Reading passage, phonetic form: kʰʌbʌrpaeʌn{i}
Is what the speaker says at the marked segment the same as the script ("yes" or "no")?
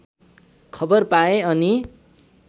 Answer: yes